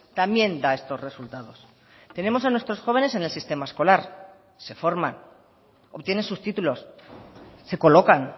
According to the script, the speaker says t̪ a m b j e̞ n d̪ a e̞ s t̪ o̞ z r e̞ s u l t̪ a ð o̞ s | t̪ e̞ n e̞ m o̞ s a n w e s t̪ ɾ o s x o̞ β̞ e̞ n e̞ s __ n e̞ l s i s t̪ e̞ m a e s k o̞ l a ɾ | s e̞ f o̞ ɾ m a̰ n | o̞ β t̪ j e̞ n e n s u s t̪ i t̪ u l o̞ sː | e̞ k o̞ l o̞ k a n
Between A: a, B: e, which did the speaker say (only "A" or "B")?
B